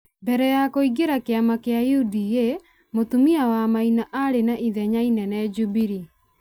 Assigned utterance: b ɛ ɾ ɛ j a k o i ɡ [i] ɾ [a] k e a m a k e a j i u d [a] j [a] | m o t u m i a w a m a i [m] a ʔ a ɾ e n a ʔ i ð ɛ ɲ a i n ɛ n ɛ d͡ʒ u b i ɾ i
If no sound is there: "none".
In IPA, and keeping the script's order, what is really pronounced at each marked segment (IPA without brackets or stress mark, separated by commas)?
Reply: e, a, i, e, n